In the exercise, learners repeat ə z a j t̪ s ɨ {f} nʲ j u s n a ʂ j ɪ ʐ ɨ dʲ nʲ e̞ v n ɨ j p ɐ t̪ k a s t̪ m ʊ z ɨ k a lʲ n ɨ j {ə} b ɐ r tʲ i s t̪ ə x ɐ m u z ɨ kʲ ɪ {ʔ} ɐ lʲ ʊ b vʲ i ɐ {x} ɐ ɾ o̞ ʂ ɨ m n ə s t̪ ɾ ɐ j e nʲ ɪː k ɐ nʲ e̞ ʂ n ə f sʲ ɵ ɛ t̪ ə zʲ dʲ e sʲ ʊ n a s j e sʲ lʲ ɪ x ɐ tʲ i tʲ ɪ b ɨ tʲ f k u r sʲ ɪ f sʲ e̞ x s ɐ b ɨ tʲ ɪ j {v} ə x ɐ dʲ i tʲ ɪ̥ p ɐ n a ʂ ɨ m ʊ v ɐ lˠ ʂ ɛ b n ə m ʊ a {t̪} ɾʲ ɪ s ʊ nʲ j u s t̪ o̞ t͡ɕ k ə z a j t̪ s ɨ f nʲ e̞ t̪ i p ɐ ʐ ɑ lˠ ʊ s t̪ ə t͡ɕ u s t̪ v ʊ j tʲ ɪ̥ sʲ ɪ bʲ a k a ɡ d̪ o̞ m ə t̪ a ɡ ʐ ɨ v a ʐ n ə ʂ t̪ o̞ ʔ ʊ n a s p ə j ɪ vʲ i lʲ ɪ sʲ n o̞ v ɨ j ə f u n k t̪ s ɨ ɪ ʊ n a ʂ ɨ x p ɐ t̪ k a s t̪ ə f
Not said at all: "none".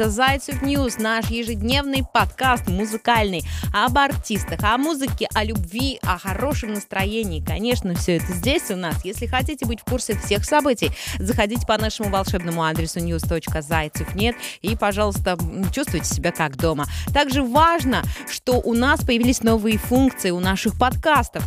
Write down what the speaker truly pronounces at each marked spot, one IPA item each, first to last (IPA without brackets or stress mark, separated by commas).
f, ɐ, ʔ, x, z, d̪